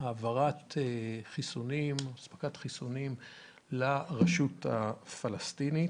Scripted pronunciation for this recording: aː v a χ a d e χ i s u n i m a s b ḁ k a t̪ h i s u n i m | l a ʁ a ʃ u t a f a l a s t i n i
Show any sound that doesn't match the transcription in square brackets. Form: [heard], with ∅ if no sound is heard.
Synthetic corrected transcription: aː v a [ʁ] a [t] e χ i s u n i m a s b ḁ k a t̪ [χ] i s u n i m | l a ʁ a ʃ u t a f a l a s t i n i